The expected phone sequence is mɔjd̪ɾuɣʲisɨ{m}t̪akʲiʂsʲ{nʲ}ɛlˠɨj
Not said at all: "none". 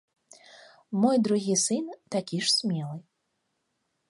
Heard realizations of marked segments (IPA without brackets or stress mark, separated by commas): n, mʲ